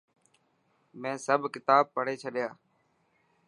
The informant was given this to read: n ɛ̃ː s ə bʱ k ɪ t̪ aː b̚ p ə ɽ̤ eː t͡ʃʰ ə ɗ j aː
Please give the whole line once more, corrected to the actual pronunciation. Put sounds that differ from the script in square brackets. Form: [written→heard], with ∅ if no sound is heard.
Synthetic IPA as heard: [n→m] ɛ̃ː s ə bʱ k ɪ t̪ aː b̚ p ə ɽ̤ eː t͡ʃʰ ə ɗ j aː